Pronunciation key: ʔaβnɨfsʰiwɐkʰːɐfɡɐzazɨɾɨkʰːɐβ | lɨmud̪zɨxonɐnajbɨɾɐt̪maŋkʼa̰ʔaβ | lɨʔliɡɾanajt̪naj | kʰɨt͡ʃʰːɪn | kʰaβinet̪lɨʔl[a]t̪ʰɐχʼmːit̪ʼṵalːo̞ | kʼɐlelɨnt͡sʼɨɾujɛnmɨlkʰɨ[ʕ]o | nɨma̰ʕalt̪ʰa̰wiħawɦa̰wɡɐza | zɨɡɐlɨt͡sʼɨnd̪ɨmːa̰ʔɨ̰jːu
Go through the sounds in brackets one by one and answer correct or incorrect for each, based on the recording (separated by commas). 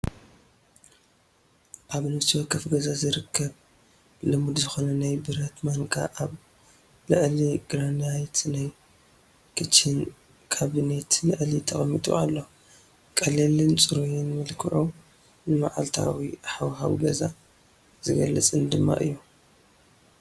incorrect, correct